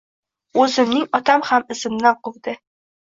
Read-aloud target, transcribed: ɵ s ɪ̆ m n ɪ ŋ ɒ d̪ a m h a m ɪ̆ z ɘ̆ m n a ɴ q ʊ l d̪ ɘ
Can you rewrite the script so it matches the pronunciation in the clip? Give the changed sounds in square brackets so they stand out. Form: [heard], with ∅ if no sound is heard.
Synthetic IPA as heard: ɵ [z] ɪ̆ m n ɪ ŋ ɒ [t̪] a m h a m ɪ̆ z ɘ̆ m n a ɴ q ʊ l d̪ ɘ

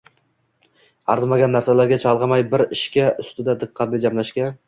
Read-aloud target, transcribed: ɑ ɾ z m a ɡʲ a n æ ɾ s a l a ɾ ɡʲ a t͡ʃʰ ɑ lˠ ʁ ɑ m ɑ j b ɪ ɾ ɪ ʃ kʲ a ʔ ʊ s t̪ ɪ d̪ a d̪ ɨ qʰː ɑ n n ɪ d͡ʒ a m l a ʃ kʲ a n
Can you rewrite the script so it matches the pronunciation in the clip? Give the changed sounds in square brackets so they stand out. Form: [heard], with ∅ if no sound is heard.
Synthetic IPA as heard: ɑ ɾ z m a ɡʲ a [nː] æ ɾ s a l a ɾ ɡʲ a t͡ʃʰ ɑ lˠ ʁ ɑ m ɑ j b ɪ ɾ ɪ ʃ kʲ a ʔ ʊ s t̪ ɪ d̪ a d̪ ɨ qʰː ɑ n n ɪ d͡ʒ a m l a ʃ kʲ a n

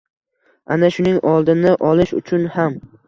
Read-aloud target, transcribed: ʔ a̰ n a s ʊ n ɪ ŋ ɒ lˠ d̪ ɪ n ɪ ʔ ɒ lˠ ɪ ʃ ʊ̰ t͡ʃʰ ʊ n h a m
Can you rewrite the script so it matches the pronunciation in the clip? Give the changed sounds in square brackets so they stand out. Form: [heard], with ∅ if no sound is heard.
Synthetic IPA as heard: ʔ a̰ n a [ʃ] ʊ n ɪ ŋ ɒ lˠ d̪ ɪ n ɪ ʔ ɒ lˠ ɪ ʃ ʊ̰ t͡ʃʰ ʊ n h a m

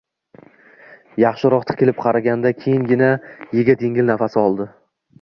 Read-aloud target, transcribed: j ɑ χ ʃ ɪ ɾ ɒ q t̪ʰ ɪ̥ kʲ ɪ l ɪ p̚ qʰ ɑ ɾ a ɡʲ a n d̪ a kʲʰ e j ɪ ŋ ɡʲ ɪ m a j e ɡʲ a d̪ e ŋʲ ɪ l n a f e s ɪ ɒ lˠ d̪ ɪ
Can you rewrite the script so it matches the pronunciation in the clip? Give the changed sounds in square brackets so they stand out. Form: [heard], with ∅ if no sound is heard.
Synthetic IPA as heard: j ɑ χ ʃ ɪ ɾ ɒ q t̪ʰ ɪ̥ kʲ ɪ l ɪ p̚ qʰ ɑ ɾ a ɡʲ a n d̪ a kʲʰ e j ɪ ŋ ɡʲ ɪ [n] a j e ɡʲ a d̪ e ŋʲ ɪ l n a f [a] s ɪ ɒ lˠ d̪ ɪ

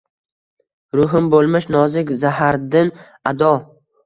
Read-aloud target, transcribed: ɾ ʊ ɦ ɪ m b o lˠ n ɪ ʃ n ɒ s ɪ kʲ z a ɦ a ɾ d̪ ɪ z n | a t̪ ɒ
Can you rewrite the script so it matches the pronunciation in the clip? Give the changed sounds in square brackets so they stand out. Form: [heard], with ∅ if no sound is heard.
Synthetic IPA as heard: ɾ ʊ ɦ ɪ m b o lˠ [m] ɪ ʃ n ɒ [z] ɪ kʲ z a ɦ a ɾ d̪ ɪ [∅] n | a [d̪] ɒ

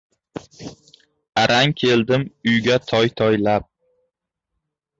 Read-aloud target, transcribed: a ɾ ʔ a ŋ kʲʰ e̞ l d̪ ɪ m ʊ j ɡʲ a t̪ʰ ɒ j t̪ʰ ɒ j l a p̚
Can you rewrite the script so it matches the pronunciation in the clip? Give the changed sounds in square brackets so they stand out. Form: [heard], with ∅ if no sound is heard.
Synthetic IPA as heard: a ɾ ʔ a ŋ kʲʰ e̞ l d̪ ɪ m ʊ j ɡʲ a t̪ʰ ɒ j t̪ʰ ɒ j l a p̚

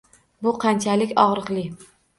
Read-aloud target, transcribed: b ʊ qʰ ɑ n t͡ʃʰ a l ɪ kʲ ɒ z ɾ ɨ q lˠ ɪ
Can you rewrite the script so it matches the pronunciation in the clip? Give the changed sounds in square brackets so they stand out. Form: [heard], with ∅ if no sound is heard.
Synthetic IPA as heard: b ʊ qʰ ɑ n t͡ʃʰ a l ɪ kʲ ɒ [ʁ] ɾ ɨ q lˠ ɪ

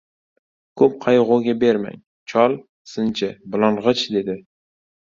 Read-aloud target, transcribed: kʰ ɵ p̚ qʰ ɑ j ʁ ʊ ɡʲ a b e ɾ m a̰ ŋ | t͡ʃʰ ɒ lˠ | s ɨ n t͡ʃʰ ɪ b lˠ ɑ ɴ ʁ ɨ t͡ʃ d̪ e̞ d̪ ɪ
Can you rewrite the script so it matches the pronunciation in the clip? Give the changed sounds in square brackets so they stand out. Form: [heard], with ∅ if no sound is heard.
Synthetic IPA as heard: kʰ ɵ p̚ qʰ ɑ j ʁ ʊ ɡʲ a b e ɾ m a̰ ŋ | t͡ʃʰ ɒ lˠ | s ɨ n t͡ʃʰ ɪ b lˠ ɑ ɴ ʁ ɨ t͡ʃ d̪ e̞ d̪ ɪ

